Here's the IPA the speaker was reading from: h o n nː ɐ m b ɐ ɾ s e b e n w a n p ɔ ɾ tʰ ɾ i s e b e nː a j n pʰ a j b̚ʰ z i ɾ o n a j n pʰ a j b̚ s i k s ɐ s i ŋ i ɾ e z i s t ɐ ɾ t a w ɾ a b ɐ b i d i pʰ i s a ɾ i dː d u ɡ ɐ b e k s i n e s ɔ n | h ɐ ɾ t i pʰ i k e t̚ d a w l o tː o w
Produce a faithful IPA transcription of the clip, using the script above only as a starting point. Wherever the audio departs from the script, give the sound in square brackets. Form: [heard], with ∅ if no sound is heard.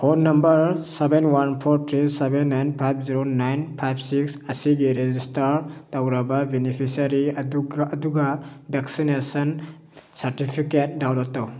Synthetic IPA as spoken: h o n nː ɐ m b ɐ ɾ s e b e n w a n [pʰ] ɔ ɾ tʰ ɾ i s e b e nː a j n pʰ a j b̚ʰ z i ɾ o n a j n pʰ a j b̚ s i k s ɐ s i [ɡ] i ɾ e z i s t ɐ ɾ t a w ɾ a b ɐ b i [n] i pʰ i s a ɾ i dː d u ɡ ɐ b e k s i n e s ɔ n | [s] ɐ ɾ t i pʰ i k e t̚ d a w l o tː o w